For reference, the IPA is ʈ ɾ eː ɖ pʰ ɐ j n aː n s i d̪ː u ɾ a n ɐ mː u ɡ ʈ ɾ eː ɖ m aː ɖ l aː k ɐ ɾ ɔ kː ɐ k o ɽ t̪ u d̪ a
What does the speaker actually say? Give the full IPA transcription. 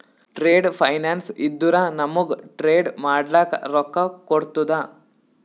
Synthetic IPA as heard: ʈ ɾ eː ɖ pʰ ɐ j n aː n s i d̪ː u ɾ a n ɐ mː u ɡ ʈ ɾ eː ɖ m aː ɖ l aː k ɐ ɾ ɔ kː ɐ k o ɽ t̪ u d̪ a